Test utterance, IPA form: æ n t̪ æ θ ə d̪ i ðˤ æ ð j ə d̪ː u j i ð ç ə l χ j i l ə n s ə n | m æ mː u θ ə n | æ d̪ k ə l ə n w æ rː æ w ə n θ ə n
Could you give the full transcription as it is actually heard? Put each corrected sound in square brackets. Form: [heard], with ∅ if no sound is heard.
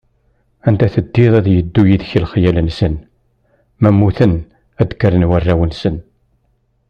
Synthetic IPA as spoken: æ n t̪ æ θ ə [d̪ː] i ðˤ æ ð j ə d̪ː u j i ð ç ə l χ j [æ] l ə n s ə n | m æ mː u θ ə n | æ d̪ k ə [ɾ] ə n w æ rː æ w ə n [s] ə n